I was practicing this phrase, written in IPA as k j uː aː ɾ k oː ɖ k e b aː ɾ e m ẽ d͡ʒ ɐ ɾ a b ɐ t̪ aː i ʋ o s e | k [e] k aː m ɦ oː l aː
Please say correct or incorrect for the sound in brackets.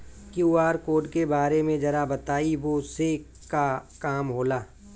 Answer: incorrect